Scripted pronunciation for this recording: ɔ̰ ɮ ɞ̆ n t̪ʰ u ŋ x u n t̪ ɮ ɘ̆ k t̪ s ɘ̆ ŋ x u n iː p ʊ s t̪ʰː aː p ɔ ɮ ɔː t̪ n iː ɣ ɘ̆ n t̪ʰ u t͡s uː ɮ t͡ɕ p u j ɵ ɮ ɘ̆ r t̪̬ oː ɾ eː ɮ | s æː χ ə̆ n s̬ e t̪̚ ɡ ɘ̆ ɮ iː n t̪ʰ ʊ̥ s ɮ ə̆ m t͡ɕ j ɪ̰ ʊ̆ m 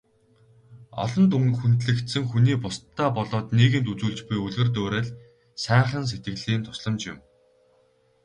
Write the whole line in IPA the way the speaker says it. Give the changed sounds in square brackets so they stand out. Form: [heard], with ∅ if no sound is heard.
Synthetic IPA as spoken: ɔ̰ ɮ ɞ̆ n [t̪] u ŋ x u n t̪ ɮ ɘ̆ k t̪ s ɘ̆ ŋ x u n iː p ʊ s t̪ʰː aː p ɔ ɮ ɔː t̪ n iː ɣ ɘ̆ n [t̪] u t͡s uː ɮ t͡ɕ p u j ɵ ɮ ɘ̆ r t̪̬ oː ɾ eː ɮ | s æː χ ə̆ n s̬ e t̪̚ ɡ ɘ̆ ɮ iː n t̪ʰ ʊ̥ s ɮ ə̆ m t͡ɕ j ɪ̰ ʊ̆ m